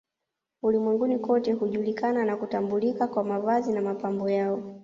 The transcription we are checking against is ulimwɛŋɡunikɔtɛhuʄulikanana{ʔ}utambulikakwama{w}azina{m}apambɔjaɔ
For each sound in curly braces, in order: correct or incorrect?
incorrect: k, incorrect: v, correct

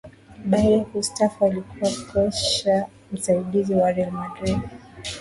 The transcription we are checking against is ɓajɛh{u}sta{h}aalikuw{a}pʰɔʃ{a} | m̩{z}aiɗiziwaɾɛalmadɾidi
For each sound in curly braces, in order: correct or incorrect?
correct, incorrect: f, correct, correct, incorrect: s

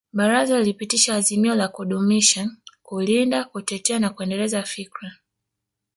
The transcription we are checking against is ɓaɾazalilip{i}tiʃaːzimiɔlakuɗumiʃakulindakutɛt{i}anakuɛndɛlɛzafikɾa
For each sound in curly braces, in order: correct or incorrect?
correct, incorrect: ɛ

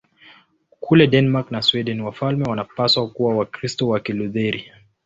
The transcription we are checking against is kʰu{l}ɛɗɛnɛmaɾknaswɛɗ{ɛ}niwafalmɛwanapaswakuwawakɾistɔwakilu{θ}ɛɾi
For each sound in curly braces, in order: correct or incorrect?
correct, correct, incorrect: ð

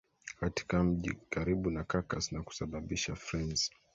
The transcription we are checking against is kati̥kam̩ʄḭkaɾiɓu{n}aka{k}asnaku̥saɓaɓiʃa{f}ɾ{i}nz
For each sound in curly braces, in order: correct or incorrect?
correct, correct, correct, incorrect: ɛ

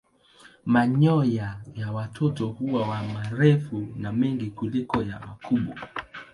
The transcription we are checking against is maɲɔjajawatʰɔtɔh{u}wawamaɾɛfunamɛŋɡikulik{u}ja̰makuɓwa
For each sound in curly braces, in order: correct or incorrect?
correct, incorrect: ɔ

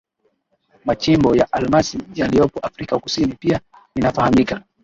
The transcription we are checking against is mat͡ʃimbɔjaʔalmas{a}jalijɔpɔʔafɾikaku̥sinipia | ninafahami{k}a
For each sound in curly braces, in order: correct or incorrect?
incorrect: i, correct

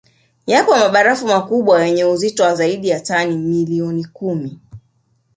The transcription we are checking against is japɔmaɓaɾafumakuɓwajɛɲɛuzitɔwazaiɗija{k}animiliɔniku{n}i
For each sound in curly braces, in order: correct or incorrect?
incorrect: t, incorrect: m

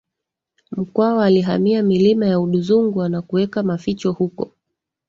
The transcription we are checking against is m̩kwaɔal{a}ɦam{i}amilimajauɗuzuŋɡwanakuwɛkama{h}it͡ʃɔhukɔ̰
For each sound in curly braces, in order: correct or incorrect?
incorrect: i, correct, incorrect: f

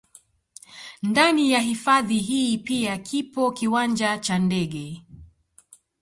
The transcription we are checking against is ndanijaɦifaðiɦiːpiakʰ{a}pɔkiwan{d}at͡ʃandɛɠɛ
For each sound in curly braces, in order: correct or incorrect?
incorrect: i, incorrect: d͡ʒ

